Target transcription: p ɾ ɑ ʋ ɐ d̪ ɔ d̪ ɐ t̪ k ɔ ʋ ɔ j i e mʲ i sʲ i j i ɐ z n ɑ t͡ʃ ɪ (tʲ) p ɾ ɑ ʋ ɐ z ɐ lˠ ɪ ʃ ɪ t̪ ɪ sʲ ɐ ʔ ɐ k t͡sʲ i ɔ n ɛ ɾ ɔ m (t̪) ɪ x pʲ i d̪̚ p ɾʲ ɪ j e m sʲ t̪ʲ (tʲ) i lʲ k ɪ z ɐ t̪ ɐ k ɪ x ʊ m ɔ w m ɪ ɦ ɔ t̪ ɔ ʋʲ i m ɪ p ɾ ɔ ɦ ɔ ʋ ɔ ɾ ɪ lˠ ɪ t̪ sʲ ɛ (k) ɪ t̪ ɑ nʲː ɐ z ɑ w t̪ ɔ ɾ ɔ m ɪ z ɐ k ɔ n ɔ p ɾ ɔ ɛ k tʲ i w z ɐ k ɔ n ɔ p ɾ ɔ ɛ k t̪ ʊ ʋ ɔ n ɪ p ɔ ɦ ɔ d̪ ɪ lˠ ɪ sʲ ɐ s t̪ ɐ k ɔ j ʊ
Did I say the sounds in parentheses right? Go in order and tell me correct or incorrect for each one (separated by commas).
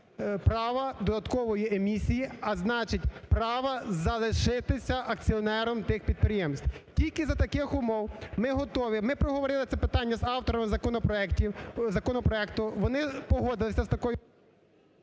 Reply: correct, correct, correct, incorrect